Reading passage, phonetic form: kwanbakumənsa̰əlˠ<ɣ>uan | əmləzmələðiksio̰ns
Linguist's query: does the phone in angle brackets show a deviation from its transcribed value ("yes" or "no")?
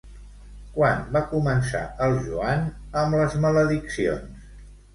yes